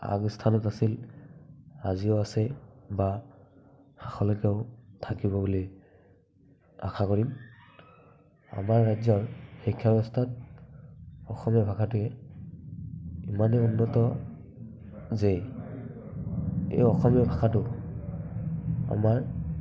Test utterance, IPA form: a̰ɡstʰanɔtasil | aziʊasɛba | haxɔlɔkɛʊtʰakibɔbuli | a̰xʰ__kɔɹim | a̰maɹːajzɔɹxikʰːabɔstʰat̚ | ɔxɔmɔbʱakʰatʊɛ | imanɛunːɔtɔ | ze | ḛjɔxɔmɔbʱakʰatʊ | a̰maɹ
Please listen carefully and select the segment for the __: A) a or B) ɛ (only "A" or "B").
A